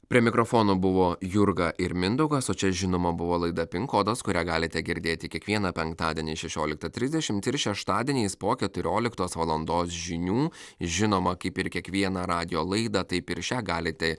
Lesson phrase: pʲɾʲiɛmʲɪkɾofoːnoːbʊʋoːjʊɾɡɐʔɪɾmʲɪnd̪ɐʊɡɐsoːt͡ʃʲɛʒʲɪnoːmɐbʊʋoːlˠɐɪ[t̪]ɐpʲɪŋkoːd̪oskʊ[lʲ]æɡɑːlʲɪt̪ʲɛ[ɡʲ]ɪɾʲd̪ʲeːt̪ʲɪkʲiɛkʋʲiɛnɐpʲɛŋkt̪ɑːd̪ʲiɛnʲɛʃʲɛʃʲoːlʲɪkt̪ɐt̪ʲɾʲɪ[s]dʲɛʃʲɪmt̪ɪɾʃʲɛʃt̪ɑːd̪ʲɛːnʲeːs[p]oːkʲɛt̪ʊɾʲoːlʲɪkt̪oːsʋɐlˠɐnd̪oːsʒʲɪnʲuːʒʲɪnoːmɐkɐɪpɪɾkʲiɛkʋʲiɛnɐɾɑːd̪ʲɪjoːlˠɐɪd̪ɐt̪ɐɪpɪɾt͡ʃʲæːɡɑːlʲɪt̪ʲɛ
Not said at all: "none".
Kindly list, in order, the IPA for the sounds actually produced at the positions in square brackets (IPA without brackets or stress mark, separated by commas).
d̪, ɾʲ, ɡʲ, z, p